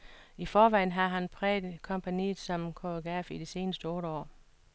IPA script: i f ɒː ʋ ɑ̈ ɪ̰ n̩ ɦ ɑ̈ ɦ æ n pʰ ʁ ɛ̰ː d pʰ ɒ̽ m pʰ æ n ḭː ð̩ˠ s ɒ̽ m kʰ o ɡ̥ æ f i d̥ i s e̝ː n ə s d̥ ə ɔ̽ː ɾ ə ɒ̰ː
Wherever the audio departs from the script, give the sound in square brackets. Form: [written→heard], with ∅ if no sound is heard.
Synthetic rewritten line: i f ɒː ʋ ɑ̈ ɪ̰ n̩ ɦ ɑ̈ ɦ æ n pʰ ʁ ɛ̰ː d [pʰ→kʰ] ɒ̽ m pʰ æ n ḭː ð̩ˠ s ɒ̽ m kʰ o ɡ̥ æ f i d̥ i s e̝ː n ə s d̥ ə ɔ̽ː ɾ ə ɒ̰ː